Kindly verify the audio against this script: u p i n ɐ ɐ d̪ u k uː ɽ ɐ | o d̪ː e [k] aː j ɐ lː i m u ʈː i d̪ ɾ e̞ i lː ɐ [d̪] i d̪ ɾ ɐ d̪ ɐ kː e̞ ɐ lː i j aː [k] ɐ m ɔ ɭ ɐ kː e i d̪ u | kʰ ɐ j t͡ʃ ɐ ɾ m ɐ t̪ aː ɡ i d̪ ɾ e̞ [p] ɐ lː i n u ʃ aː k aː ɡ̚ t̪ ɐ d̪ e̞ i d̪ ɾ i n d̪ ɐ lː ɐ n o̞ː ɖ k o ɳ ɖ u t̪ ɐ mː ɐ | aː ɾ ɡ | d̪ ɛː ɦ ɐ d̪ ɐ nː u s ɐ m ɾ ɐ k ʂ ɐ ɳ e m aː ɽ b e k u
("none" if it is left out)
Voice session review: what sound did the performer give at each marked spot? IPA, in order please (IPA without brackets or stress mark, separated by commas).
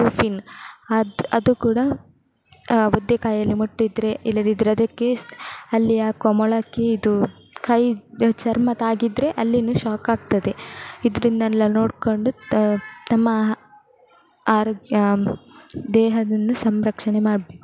k, d̪, k, ʔ